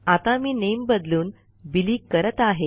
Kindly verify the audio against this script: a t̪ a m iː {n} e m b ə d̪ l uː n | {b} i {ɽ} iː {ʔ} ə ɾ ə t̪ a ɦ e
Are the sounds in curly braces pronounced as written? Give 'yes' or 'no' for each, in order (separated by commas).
yes, yes, no, no